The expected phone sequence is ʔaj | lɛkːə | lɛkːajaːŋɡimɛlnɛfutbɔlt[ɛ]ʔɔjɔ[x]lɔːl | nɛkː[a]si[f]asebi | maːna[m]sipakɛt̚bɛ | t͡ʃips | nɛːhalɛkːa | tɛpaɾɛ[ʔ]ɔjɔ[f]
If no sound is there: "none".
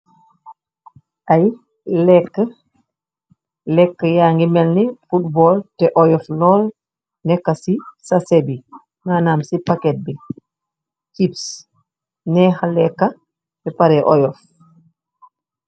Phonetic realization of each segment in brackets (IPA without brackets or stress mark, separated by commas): ɛ, f, a, s, m, ʔ, f